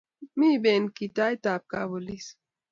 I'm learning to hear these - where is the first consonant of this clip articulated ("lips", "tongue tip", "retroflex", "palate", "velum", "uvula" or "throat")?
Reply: lips